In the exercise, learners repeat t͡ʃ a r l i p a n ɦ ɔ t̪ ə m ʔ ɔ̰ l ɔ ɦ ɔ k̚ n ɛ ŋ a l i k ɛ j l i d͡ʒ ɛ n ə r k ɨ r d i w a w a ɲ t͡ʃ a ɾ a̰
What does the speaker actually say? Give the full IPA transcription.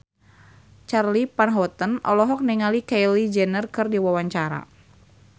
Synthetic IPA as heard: t͡ʃ a r l i p a n ɦ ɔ t̪ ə n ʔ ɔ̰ l ɔ ɦ ɔ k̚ n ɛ ŋ a l i k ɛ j l i d͡ʒ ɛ n ə r k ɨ r d i w a w a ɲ t͡ʃ a ɾ a̰